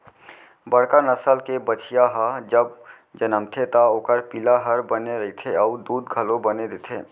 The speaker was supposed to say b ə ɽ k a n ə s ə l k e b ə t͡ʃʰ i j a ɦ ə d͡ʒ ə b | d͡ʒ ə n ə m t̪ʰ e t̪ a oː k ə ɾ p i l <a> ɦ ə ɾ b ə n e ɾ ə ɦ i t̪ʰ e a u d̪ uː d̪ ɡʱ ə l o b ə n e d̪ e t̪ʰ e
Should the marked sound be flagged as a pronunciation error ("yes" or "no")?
no